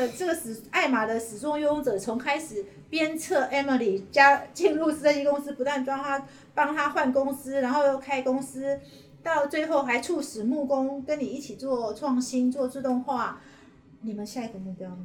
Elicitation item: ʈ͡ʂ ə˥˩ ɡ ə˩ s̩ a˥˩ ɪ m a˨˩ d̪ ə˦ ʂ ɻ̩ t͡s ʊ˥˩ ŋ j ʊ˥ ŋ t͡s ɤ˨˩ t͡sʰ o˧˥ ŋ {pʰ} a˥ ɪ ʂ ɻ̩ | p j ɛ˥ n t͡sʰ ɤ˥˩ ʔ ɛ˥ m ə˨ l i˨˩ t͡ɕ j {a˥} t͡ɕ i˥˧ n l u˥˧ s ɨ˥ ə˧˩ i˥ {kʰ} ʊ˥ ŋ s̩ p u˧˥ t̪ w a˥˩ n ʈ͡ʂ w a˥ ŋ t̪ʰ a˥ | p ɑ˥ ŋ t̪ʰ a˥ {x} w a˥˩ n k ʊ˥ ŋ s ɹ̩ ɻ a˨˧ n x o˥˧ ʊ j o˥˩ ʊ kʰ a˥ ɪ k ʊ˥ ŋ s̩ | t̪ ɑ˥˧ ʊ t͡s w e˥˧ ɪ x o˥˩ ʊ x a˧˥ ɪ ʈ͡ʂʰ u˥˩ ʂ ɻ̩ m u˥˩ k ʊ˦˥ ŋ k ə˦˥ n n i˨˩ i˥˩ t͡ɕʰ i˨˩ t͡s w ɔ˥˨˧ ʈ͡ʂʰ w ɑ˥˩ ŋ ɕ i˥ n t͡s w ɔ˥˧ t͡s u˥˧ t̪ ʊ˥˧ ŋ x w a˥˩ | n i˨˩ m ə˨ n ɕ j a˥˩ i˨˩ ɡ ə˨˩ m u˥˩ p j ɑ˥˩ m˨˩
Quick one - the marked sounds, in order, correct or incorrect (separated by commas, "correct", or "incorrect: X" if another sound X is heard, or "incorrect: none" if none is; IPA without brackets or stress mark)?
incorrect: kʰ, correct, incorrect: k, correct